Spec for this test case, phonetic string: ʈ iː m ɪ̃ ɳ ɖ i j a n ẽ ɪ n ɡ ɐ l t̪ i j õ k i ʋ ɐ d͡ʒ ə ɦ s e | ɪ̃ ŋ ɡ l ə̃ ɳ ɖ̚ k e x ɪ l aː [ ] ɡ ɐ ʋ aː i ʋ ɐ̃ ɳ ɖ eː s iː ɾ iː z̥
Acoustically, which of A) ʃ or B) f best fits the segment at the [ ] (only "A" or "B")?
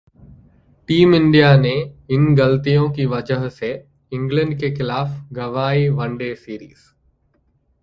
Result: B